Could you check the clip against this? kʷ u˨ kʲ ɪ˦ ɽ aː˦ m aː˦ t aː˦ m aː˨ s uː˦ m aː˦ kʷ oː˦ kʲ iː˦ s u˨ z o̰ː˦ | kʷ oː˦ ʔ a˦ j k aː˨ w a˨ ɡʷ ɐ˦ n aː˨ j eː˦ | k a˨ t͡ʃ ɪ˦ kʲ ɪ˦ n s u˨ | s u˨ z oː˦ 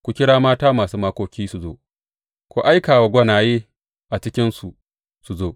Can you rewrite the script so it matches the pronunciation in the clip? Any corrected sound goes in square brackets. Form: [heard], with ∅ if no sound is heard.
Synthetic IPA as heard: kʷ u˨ kʲ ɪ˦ ɽ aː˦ m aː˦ t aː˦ m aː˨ s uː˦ m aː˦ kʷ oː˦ kʲ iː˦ s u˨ z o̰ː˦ | kʷ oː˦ ʔ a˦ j k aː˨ w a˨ ɡʷ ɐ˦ n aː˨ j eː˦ | [ʔ] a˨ t͡ʃ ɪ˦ kʲ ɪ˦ n s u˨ | s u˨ z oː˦